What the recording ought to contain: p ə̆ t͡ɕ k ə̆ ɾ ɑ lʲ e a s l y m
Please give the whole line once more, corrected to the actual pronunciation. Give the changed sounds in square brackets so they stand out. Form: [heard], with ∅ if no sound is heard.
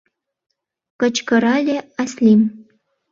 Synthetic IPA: [k] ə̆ t͡ɕ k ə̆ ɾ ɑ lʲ e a s l [i] m